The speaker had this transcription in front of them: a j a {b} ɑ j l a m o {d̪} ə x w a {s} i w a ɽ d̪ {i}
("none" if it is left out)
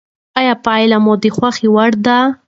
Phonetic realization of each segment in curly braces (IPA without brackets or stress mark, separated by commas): p, d̪, x, a